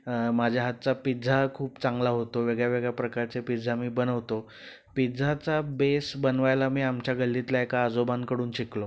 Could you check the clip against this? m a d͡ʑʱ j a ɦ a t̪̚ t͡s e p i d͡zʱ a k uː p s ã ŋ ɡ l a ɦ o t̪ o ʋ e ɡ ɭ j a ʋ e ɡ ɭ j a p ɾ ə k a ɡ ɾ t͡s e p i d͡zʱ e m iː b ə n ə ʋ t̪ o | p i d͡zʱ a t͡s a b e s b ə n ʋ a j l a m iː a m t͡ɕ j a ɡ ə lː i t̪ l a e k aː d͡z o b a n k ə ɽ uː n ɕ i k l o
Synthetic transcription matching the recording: m a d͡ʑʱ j a ɦ a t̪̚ t͡s a p i d͡zʱ a kʰ uː p t͡s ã ŋ ɡ l a ɦ o t̪ o ʋ e ɡ ɭ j a ʋ e ɡ ɭ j a p ɾ ə k a ɾ t͡s e p i d͡zʱ a m iː b ə n ə ʋ t̪ o | p i d͡zʱ a t͡s a b e s b ə n ʋ a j l a m iː a m t͡ɕ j a ɡ ə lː i t̪ l a e k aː d͡z o b a n k ə ɽ uː n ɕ i k l o